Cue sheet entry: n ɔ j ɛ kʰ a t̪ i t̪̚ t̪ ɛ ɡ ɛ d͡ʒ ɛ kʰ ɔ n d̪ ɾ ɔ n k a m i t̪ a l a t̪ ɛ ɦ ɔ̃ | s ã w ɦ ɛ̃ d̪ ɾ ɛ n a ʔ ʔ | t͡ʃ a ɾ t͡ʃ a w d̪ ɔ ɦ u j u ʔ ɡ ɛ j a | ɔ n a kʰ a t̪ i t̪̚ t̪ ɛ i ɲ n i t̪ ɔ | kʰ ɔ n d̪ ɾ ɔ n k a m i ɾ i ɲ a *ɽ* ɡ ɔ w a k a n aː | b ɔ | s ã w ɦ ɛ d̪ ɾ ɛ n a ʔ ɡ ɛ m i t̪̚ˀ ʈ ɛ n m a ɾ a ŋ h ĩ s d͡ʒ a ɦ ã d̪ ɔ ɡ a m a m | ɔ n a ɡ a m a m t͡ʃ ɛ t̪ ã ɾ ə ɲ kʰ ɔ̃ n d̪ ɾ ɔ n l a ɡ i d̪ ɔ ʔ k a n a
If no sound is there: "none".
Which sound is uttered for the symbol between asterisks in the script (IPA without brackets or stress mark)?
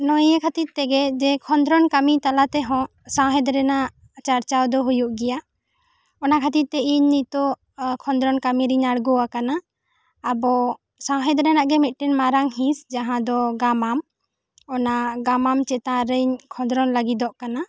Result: ɽ